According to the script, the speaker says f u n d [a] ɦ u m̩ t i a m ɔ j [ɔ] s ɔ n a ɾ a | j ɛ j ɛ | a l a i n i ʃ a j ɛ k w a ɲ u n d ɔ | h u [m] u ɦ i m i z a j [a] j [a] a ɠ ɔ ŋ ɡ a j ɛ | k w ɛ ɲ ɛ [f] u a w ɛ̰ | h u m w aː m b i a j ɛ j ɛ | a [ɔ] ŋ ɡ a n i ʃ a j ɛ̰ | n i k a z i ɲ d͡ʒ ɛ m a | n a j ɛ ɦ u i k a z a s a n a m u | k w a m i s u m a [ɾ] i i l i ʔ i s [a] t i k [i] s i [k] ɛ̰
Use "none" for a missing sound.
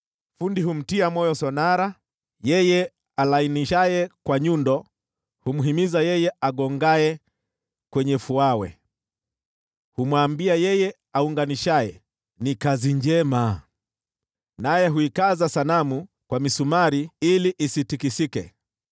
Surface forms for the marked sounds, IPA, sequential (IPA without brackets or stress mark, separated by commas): i, ɔ, m, ɛ, ɛ, f, u, ɾ, i, i, k